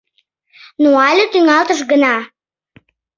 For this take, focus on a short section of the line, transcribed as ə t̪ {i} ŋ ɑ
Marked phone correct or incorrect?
incorrect